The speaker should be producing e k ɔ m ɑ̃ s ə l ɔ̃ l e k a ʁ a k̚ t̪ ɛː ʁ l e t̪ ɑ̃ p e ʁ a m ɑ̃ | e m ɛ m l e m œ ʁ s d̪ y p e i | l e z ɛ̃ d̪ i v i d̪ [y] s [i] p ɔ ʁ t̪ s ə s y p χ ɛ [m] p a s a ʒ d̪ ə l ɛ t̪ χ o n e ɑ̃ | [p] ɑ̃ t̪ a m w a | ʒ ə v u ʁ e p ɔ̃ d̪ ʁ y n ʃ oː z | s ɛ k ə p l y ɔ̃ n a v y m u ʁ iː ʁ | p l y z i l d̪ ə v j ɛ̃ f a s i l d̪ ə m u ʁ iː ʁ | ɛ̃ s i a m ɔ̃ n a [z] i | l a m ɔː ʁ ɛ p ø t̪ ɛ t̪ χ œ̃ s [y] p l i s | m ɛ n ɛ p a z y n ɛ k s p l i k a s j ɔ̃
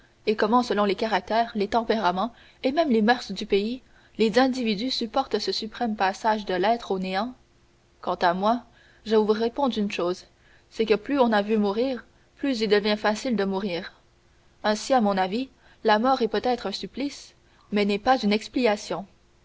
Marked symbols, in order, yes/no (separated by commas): yes, no, yes, no, no, yes